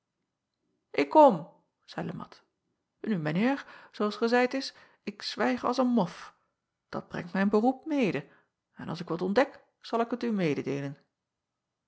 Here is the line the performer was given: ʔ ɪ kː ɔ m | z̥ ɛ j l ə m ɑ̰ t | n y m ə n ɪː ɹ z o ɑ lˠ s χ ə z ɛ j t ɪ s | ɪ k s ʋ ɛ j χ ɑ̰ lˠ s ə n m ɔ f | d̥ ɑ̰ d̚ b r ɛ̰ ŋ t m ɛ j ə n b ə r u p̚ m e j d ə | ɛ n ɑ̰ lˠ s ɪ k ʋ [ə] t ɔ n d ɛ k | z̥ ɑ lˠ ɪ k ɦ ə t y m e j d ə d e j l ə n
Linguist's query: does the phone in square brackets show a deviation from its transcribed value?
yes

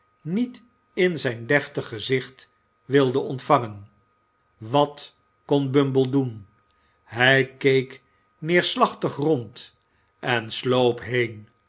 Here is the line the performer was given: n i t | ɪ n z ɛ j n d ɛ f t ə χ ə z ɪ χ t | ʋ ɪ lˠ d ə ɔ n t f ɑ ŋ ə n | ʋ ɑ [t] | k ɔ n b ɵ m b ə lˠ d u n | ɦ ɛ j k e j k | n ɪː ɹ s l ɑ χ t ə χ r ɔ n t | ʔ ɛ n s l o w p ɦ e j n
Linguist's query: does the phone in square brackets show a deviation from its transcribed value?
no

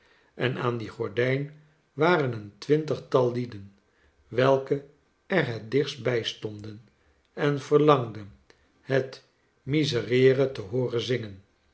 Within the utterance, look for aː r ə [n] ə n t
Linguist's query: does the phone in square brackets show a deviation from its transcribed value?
no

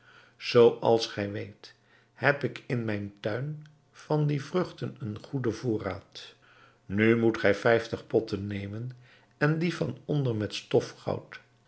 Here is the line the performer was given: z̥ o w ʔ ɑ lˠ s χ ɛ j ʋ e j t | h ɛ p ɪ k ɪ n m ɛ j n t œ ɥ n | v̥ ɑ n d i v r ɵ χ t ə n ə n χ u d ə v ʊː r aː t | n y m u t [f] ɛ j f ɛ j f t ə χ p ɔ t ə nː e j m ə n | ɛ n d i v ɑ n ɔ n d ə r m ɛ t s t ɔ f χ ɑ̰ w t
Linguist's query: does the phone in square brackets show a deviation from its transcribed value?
yes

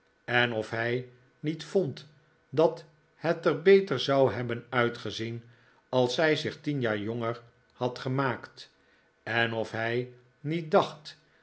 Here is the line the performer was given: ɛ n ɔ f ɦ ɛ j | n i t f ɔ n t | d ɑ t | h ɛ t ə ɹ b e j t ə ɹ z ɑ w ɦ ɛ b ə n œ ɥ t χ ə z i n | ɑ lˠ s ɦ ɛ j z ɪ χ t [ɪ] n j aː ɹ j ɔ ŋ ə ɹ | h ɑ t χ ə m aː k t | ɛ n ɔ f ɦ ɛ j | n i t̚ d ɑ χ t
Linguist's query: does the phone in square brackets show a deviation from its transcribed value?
yes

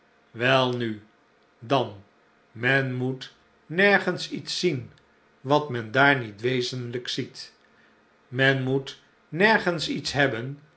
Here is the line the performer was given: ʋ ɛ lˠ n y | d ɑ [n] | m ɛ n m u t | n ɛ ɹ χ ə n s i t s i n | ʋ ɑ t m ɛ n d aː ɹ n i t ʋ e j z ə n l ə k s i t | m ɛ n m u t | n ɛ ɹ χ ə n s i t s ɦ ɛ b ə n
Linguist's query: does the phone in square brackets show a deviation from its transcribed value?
no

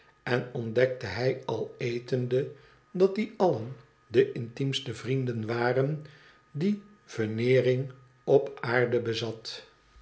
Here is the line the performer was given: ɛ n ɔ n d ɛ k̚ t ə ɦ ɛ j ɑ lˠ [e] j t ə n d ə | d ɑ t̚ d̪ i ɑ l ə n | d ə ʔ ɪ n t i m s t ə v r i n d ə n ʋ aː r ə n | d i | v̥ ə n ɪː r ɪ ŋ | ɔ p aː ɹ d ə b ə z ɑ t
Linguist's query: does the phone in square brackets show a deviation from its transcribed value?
no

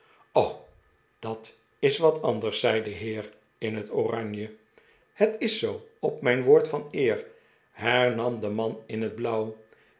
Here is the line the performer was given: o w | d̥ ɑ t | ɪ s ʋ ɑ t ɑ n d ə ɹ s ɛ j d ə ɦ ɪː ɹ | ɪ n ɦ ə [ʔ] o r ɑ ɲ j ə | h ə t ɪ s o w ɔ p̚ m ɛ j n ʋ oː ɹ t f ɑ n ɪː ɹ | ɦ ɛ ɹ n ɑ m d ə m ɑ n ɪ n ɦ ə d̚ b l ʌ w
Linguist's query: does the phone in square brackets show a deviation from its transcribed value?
yes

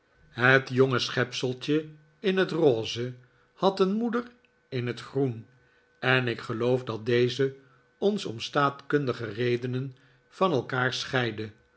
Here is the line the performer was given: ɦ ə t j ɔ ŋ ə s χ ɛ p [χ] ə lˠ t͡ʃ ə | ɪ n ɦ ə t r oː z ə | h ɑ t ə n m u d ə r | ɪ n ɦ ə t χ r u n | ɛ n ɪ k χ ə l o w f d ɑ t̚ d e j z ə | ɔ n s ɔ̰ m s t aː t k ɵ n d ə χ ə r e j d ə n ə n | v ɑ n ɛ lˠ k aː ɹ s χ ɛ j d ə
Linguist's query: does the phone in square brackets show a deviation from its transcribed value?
yes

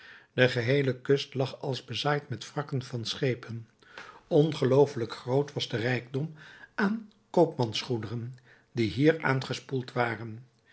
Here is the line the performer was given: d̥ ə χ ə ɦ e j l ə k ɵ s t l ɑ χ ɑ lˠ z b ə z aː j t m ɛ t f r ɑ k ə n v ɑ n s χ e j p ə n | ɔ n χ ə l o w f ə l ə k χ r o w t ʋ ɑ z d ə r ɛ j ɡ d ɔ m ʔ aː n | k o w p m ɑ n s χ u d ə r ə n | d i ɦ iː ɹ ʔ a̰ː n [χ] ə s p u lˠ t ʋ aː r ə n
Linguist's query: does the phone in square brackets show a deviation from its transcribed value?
no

